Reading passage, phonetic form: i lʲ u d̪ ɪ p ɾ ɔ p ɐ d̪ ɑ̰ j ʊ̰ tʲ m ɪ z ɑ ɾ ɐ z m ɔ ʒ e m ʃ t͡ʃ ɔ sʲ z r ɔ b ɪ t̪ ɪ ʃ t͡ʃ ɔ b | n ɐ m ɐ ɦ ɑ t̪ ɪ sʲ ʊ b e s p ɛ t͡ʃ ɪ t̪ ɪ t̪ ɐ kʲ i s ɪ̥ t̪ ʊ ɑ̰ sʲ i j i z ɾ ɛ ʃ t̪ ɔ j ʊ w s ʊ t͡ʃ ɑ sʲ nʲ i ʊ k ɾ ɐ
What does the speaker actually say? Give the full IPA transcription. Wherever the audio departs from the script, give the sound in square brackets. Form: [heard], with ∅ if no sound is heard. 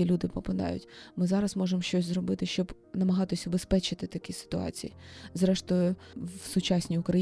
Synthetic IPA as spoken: i lʲ u d̪ ɪ p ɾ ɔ p ɐ d̪ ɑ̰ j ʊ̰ tʲ m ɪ z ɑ ɾ ɐ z m ɔ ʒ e m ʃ t͡ʃ ɔ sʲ z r ɔ b ɪ t̪ ɪ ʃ t͡ʃ ɔ b | n ɐ m ɐ ɦ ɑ t̪ ɪ sʲ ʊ b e s p ɛ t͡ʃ ɪ t̪ ɪ t̪ ɐ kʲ i s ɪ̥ t̪ ʊ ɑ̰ [t͡sʲ] i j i z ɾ ɛ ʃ t̪ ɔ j ʊ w s ʊ t͡ʃ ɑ sʲ nʲ i ʊ k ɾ ɐ